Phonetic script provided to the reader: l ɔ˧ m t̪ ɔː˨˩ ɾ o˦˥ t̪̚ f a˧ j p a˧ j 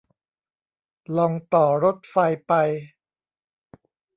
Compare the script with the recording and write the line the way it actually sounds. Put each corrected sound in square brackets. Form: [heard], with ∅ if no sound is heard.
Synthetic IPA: l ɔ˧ [ŋ] t̪ ɔː˨˩ ɾ o˦˥ t̪̚ f a˧ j p a˧ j

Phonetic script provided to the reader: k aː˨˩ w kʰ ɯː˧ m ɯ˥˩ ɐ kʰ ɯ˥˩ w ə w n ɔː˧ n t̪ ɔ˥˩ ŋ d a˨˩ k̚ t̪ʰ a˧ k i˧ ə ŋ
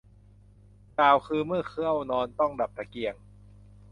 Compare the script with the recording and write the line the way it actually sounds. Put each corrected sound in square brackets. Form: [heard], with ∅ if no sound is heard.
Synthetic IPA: k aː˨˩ w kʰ ɯː˧ m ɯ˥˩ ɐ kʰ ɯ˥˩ [∅] ə w n ɔː˧ n t̪ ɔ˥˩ ŋ d a˨˩ [p̚] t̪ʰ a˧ k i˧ ə ŋ

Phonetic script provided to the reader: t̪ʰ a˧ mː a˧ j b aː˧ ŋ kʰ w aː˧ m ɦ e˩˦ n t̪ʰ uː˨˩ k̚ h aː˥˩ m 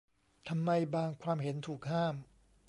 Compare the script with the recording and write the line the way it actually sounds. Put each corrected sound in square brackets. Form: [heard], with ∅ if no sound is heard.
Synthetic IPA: t̪ʰ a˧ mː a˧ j b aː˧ ŋ kʰ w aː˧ m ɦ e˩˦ n t̪ʰ uː˨˩ k̚ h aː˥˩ m

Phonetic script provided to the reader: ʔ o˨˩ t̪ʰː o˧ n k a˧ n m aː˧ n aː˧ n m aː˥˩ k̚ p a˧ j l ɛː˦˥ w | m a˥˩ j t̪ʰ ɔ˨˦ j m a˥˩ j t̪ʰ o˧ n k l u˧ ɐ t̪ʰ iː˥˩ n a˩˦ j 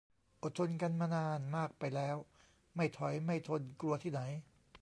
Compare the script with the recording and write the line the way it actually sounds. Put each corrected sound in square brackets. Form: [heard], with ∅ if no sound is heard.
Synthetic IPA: ʔ o˨˩ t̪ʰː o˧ n k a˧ n m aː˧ n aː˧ n m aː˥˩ k̚ p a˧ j l ɛː˦˥ w | m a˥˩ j t̪ʰ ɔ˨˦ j m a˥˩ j t̪ʰ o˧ n k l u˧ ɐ t̪ʰ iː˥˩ n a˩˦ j

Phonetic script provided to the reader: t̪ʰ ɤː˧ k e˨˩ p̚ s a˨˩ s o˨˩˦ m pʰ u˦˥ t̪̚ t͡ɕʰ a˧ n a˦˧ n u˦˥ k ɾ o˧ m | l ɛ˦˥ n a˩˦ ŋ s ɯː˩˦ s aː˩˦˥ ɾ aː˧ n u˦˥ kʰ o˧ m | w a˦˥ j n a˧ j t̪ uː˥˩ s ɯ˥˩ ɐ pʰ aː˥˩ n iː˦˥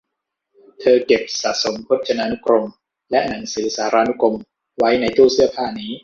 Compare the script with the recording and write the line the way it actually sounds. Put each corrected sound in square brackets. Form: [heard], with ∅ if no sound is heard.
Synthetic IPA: t̪ʰ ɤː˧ k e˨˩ p̚ s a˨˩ s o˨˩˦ m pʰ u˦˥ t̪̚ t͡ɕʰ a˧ n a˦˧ n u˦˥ k ɾ o˧ m | l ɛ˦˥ n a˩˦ ŋ s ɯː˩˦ s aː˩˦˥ ɾ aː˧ n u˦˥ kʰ o˧ m | w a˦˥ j n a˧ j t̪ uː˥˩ s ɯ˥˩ ɐ pʰ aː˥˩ n iː˦˥

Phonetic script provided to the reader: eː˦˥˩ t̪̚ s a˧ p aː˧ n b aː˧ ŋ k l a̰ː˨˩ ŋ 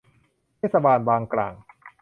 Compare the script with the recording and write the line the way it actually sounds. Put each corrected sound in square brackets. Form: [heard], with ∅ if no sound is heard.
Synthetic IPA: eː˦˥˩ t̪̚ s a˧ [b] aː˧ n b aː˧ ŋ k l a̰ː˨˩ ŋ

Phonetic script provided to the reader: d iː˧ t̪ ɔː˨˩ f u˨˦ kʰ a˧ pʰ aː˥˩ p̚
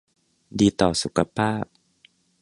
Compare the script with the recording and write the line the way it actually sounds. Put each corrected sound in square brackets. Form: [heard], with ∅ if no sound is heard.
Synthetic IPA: d iː˧ t̪ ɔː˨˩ [s] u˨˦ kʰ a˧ pʰ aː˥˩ p̚

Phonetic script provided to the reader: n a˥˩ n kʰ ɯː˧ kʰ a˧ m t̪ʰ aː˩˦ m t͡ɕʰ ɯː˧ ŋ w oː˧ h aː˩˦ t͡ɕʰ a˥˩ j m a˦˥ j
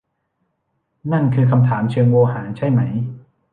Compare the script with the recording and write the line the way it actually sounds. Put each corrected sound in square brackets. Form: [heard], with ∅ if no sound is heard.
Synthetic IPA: n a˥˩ n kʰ ɯː˧ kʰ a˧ m t̪ʰ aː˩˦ m t͡ɕʰ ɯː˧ ŋ w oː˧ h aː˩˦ t͡ɕʰ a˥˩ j m a˦˥ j

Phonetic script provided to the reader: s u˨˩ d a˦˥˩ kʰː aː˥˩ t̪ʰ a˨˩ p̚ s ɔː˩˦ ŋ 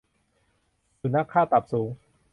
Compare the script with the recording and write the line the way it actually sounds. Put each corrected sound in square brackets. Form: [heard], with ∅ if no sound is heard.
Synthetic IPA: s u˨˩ [n] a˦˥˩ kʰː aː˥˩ [t̪] a˨˩ p̚ s [uː˩˦] ŋ

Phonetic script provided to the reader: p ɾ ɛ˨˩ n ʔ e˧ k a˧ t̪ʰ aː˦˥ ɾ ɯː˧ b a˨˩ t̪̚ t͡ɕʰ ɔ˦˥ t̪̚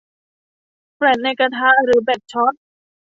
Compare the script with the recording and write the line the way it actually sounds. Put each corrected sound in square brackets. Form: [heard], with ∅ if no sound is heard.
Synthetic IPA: p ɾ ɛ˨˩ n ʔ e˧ k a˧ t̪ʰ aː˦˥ ɾ [ɯː˩˦] b [ɛ˨˩] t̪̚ t͡ɕʰ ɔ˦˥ t̪̚

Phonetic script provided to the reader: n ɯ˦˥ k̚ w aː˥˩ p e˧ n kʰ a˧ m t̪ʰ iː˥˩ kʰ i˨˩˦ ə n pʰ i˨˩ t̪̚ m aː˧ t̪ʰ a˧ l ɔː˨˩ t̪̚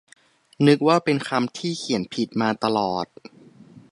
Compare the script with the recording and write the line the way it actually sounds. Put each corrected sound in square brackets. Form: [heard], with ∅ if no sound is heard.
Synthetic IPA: n ɯ˦˥ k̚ w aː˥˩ p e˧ n kʰ a˧ m t̪ʰ iː˥˩ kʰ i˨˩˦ ə n pʰ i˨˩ t̪̚ m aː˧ [t̪] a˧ l ɔː˨˩ t̪̚

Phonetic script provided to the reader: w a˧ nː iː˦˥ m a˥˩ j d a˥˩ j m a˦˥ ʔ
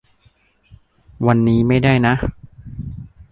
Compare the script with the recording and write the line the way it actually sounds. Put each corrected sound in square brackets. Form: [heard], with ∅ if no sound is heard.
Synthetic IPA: w a˧ nː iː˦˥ m a˥˩ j d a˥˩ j [n] a˦˥ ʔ

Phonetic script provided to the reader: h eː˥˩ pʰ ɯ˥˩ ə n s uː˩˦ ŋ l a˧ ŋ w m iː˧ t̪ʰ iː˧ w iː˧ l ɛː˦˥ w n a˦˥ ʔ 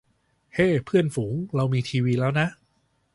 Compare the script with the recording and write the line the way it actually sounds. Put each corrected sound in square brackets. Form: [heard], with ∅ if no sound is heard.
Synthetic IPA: h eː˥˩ pʰ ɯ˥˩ ə n [f] uː˩˦ ŋ [ɾ] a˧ [∅] w m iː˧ t̪ʰ iː˧ w iː˧ l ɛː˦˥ w n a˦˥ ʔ

